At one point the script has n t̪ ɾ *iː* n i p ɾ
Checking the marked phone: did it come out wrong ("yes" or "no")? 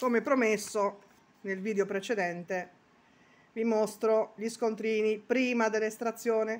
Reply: no